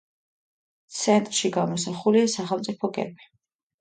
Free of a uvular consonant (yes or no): no